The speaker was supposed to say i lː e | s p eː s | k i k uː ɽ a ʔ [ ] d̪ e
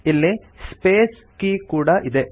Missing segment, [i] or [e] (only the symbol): i